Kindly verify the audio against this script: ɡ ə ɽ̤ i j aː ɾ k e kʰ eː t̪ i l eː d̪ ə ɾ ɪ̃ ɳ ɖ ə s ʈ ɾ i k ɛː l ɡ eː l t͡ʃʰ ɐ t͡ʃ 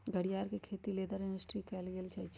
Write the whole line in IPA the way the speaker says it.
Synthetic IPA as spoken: ɡ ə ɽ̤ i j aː ɾ k e kʰ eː t̪ i l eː d̪ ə ɾ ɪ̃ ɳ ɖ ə s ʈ ɾ i k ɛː l ɡ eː l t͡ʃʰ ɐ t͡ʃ